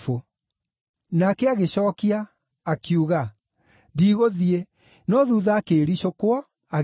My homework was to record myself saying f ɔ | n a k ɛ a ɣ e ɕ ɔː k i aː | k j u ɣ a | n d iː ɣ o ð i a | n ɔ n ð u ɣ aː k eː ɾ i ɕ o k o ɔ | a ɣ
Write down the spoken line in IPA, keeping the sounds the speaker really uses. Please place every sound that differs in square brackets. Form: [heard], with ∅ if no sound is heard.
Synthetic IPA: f [o] | n a k ɛ a ɣ e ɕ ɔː k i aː | k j u ɣ a | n d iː ɣ o ð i [e] | n ɔ [∅] ð u [ð] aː k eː ɾ i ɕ o k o ɔ | a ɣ

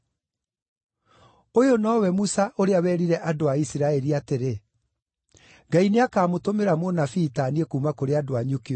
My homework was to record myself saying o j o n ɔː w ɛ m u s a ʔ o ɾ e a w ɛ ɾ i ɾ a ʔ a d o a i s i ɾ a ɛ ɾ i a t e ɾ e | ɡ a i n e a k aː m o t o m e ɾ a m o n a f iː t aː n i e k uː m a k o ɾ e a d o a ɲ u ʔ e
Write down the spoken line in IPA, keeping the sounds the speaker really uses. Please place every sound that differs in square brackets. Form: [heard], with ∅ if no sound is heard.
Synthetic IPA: o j o n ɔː w ɛ m u s a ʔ o ɾ e a w ɛ ɾ i ɾ [ɛ] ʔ a d o a i s i ɾ a ɛ ɾ i a t e ɾ e | ɡ a i n e a k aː m o t o m e ɾ a m o n a f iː t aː n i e k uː m a k o ɾ e a d o a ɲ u [k] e

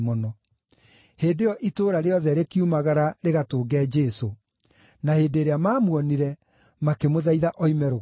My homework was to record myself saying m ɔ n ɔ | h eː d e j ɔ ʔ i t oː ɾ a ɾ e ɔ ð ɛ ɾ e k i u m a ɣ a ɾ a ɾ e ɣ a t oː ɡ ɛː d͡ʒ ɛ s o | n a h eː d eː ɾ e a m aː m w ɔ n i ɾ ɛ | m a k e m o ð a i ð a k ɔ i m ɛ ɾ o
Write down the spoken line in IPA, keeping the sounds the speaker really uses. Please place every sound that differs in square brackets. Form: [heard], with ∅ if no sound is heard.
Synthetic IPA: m ɔ n ɔ | h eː d e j ɔ ʔ i t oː ɾ a ɾ e ɔ ð ɛ ɾ e k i u m a ɣ a ɾ a ɾ e ɣ a t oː ɡ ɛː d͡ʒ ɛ s o | n a h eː d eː ɾ e a m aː m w ɔ n i ɾ ɛ | m a k e m o ð a i ð a [ʔ] ɔ i m ɛ ɾ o

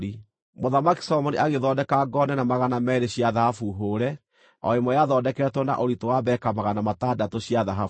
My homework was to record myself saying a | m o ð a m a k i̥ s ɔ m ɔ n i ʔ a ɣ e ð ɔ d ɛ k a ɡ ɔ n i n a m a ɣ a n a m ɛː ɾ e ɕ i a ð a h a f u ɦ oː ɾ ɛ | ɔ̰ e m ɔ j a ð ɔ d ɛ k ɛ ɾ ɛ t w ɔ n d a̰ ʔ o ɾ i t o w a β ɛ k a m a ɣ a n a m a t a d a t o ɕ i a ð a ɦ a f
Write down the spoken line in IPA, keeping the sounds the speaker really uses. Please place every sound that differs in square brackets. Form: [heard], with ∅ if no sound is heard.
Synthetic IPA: [i] | m o ð a m a k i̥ s ɔ m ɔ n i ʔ a ɣ e ð ɔ d ɛ k a ɡ ɔ n [ɛ] n a m a ɣ a n a m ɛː ɾ e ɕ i a ð a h a f u ɦ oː ɾ ɛ | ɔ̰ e m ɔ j a ð ɔ d ɛ k ɛ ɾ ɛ t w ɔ n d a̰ ʔ o ɾ i t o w a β ɛ k a m a ɣ a n a m a t a d a t o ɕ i a ð a ɦ a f

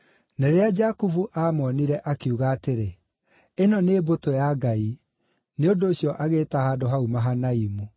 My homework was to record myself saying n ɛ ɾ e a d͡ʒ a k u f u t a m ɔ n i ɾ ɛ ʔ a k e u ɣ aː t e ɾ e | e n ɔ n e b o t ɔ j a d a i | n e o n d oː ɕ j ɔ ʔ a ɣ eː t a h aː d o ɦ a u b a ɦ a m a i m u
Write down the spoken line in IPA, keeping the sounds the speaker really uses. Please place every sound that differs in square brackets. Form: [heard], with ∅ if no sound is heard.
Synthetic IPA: n ɛ ɾ e a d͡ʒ a k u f u [ʔ] a m ɔ n i ɾ ɛ ʔ a k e u ɣ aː t e ɾ e | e n ɔ n e b o t [o] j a [ɡ] a i | n e o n d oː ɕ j ɔ ʔ a ɣ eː t a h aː d o ɦ a u [m] a ɦ a [n] a i m u

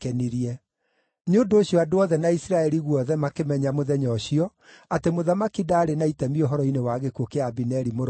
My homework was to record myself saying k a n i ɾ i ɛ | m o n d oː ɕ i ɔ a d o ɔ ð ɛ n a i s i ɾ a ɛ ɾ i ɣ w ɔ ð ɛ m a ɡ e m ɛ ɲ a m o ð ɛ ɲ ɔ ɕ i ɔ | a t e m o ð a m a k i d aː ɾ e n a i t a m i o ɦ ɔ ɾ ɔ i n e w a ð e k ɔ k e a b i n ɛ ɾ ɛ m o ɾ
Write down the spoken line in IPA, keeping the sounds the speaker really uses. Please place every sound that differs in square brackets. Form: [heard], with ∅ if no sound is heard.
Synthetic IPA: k [ɛ] n i ɾ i ɛ | [ɲ] o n d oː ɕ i ɔ a d o ɔ ð ɛ n a i s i ɾ a ɛ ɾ i ɣ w ɔ ð ɛ m a [k] e m ɛ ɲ a m o ð ɛ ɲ ɔ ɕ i ɔ | a t e m o ð a m a k i d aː ɾ e n a i t [ɛ] m i o ɦ ɔ ɾ ɔ i n e w a [ɣ] e k [o] k e a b i n ɛ ɾ [i] m o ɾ

